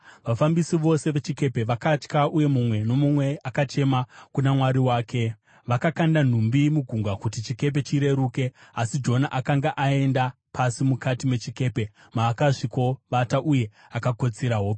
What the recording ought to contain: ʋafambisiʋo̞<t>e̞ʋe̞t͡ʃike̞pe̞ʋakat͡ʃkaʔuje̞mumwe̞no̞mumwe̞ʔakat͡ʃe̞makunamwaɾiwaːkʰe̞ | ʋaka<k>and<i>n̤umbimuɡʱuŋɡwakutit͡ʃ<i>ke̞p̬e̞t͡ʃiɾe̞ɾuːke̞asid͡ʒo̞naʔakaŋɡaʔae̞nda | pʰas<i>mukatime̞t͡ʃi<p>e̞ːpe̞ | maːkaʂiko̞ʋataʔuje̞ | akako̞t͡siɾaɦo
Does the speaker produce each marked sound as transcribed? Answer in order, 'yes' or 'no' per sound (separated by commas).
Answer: no, yes, no, yes, yes, no